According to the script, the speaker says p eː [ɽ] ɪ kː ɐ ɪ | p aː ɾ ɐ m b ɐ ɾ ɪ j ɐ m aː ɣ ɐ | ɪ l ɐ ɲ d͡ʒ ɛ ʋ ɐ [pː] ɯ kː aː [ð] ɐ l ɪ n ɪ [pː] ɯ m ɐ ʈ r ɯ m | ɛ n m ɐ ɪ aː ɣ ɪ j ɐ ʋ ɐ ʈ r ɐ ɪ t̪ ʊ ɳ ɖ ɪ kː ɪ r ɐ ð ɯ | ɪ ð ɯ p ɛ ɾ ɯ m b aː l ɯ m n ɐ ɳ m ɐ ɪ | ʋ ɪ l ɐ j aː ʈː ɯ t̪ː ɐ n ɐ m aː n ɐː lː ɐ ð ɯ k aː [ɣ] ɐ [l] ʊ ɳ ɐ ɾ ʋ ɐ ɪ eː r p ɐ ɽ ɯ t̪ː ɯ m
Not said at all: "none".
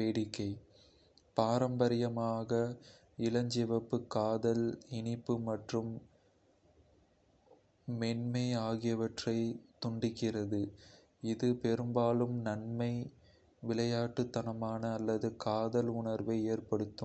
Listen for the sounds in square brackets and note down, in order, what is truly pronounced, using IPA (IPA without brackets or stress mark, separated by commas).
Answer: ɽ, pː, ð, pː, ð, l